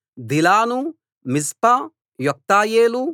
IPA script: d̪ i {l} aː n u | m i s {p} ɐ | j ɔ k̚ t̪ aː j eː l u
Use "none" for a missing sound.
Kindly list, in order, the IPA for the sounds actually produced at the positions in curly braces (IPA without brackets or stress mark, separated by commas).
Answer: l, p